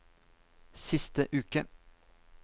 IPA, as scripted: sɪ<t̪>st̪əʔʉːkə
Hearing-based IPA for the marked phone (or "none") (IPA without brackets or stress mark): none